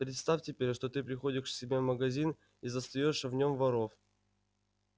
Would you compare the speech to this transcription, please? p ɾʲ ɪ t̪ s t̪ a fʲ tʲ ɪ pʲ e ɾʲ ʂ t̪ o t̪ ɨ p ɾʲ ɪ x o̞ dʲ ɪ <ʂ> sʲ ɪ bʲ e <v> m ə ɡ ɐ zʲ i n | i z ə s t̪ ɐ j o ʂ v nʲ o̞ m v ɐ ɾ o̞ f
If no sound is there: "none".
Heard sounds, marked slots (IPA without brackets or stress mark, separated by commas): ʂ, v